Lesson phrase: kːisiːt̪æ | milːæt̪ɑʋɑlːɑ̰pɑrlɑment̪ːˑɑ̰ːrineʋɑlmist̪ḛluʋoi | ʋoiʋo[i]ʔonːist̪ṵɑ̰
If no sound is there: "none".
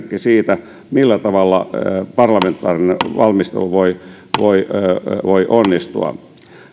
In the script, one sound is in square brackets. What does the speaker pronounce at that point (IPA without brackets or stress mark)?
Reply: i